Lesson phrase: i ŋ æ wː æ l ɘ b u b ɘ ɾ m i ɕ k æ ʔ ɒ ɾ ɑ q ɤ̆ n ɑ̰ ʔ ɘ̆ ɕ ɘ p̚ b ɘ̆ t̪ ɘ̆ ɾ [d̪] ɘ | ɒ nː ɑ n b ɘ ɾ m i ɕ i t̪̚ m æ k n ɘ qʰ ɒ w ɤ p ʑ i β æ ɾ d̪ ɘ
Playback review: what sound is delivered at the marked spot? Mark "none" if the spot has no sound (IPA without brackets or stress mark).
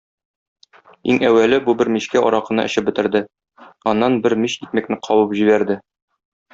d̪